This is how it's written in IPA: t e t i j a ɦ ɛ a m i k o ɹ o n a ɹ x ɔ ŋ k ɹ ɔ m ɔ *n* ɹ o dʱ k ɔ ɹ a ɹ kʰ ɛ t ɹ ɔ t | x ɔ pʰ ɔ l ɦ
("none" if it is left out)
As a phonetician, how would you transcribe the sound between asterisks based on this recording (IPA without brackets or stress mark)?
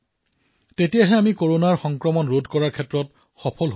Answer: n